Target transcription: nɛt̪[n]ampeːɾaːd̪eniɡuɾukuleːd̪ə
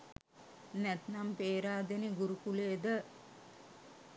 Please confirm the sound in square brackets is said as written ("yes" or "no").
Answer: yes